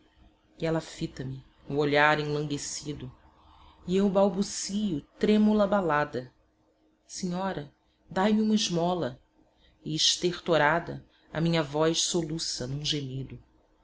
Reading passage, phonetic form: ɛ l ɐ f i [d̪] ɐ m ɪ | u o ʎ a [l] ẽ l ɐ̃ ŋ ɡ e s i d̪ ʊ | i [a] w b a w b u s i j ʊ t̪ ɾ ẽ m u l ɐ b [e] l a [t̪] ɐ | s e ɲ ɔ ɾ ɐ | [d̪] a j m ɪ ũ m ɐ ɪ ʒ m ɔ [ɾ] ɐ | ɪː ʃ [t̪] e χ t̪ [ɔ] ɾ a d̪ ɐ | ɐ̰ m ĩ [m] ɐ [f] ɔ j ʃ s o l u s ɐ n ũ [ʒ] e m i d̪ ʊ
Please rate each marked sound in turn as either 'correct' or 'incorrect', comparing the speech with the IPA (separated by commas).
incorrect, incorrect, incorrect, incorrect, incorrect, correct, incorrect, correct, incorrect, incorrect, incorrect, correct